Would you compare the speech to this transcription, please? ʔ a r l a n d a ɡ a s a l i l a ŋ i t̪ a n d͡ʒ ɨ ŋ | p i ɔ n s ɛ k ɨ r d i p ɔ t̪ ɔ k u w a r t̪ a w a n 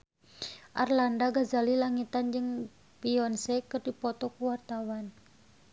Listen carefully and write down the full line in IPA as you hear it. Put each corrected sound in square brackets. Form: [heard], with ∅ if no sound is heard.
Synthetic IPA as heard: ʔ a r l a n d a ɡ a [z] a l i l a ŋ i t̪ a n d͡ʒ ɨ ŋ | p i ɔ n s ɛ k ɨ r d i p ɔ t̪ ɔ k u w a r t̪ a w a n